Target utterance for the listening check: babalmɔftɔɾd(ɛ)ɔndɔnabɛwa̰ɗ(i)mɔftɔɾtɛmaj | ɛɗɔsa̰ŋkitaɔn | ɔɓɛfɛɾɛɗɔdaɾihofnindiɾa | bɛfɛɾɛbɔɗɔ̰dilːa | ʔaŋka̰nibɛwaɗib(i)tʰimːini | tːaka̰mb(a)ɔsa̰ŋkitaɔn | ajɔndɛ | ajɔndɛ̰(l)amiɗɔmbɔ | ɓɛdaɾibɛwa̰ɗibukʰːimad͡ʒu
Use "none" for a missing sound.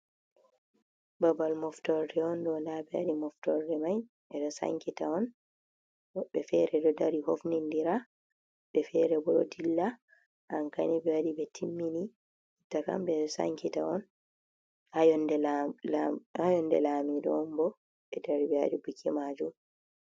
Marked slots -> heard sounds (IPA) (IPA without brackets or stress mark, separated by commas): ɛ, i, ɛ, ɛ, l